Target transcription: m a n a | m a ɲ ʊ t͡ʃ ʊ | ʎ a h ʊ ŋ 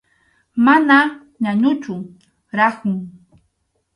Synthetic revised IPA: m a n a | ɲ a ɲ ʊ t͡ʃ ʊ | ɾ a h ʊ ŋ